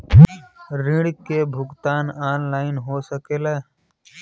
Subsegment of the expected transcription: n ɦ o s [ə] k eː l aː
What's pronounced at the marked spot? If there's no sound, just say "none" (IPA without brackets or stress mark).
ə